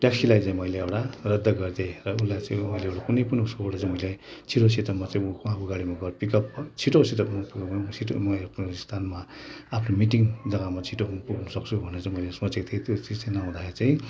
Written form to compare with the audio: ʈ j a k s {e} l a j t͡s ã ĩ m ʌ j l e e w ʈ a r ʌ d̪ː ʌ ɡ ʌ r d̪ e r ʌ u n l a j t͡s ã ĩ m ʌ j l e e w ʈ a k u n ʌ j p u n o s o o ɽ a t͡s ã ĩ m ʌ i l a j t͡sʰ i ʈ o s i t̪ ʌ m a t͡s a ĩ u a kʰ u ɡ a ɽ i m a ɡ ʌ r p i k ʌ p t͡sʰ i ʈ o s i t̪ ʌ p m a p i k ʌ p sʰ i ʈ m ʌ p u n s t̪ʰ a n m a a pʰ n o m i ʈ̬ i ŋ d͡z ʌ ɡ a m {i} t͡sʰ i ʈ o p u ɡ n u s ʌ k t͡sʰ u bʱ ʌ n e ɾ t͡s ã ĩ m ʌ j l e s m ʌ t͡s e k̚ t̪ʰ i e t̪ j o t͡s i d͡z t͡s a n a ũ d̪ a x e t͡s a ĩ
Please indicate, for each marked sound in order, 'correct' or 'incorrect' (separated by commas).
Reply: incorrect, incorrect